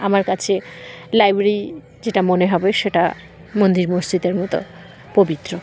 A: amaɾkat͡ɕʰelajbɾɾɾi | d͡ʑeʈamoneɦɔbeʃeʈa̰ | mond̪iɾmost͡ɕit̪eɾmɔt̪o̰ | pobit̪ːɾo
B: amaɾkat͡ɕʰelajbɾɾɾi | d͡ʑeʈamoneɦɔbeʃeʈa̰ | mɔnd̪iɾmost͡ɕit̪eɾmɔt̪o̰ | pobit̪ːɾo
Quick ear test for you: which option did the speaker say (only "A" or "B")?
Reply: A